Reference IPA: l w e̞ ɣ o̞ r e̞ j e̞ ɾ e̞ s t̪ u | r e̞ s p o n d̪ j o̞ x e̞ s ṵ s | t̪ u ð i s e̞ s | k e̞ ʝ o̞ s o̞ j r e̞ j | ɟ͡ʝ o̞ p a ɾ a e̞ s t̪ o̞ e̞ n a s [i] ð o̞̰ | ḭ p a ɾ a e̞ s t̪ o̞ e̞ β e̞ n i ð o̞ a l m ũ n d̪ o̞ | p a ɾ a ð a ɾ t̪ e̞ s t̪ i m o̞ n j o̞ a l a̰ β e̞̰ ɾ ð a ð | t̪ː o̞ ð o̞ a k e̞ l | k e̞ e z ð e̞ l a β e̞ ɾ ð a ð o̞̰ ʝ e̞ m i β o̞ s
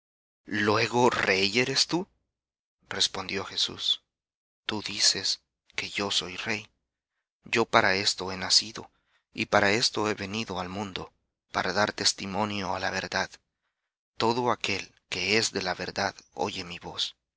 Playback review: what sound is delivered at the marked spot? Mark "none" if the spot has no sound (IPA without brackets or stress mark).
i